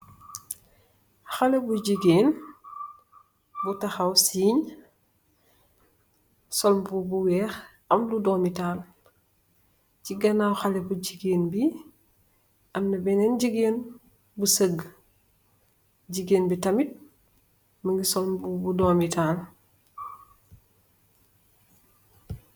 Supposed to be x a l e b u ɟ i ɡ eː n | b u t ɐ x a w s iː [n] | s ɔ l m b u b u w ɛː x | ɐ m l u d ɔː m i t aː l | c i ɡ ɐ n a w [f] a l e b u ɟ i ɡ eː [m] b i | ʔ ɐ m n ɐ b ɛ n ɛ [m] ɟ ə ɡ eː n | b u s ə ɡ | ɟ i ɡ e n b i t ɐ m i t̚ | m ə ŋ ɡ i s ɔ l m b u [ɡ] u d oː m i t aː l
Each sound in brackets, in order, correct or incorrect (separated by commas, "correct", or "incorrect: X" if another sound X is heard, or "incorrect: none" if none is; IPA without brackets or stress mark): incorrect: ɲ, incorrect: x, incorrect: n, incorrect: n, incorrect: b